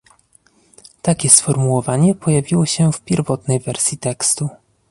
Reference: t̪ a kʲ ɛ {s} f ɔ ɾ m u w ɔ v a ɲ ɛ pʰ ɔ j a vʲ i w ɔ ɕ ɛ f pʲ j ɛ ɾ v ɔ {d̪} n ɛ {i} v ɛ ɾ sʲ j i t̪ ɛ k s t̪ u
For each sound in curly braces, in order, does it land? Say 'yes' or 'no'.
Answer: yes, no, no

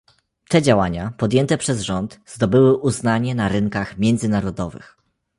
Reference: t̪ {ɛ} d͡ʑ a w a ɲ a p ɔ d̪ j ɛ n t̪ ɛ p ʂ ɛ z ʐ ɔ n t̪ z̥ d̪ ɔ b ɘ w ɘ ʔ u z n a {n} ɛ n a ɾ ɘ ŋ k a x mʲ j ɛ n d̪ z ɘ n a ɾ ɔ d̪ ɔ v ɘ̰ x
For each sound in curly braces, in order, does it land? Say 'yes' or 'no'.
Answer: yes, no

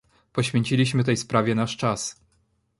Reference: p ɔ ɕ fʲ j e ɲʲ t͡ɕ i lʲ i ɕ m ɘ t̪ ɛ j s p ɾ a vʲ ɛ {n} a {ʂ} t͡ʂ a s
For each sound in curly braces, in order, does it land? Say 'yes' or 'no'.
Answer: yes, yes

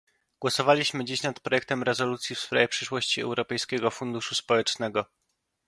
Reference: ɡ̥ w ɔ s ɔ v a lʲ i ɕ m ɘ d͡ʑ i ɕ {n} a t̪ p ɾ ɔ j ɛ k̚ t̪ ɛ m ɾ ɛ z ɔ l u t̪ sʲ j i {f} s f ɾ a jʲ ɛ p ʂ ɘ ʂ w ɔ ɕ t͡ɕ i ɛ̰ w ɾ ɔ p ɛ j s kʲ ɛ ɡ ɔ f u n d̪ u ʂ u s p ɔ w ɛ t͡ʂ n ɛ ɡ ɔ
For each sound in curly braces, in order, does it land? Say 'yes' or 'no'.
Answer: yes, yes

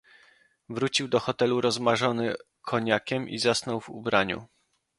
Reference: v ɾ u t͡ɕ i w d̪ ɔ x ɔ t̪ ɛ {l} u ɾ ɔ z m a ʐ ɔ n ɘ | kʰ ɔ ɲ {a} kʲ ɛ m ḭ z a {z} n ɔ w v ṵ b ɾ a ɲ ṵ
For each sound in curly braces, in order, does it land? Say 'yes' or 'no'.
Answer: yes, yes, no

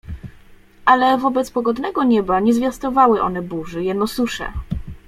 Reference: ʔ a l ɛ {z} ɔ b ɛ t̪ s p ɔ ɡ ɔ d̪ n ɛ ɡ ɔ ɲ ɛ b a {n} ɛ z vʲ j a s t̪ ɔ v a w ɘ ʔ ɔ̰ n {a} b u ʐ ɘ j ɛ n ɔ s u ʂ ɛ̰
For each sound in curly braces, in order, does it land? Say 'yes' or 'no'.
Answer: no, no, no

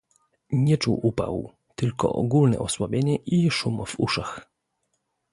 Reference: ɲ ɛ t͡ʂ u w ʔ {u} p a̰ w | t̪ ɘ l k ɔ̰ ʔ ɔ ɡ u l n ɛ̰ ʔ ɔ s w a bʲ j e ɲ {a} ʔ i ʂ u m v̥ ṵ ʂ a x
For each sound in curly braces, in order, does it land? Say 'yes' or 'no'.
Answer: yes, no

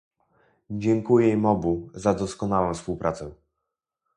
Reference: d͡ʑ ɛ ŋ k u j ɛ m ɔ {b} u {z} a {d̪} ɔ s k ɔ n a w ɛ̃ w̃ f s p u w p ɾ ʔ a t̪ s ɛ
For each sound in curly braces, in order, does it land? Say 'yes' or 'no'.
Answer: yes, yes, yes

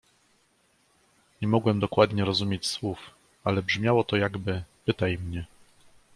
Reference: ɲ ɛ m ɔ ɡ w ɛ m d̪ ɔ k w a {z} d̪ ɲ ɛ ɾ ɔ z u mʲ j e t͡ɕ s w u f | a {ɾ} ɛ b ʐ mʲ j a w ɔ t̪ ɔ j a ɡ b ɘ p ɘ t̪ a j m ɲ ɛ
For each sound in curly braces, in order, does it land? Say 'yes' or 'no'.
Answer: no, no

